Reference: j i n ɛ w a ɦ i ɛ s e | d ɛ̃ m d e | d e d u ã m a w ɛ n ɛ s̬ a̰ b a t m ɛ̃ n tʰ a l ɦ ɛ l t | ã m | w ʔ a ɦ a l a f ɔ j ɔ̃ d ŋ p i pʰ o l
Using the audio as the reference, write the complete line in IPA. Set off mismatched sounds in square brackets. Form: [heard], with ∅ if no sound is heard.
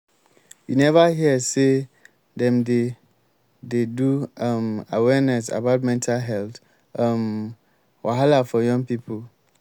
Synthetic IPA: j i n ɛ [v] a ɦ i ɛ s e | d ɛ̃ m d e | d e d u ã m a w ɛ n ɛ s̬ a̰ b a t m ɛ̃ n tʰ a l ɦ ɛ l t | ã m | w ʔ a ɦ a l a f ɔ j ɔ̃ [∅] ŋ p i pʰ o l